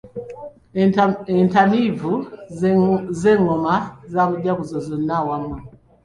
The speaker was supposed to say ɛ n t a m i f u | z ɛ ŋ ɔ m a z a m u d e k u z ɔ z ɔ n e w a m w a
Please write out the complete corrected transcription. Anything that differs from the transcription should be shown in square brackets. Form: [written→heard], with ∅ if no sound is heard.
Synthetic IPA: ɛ n t a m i [f→v] u | z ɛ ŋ ɔ m a z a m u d [e→a] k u z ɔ z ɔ n [e→a] w a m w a